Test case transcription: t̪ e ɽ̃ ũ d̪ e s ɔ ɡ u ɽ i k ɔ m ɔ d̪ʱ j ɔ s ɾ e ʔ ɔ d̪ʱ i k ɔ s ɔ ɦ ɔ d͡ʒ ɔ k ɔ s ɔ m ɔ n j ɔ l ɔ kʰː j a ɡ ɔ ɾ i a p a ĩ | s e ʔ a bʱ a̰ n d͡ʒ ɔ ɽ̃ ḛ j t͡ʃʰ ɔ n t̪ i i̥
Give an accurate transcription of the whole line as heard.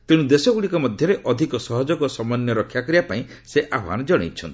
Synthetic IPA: t̪ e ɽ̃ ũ d̪ e s ɔ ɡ u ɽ i k ɔ m ɔ d̪ʱ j ɔ ɾ e ʔ ɔ d̪ʱ i k ɔ s ɔ ɦ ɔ d͡ʒ ɔ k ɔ s ɔ m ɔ n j ɔ ɾ ɔ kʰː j a k ɔ ɾ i a p a ĩ | s e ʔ a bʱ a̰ n d͡ʒ ɔ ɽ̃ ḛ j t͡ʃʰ ɔ n t̪ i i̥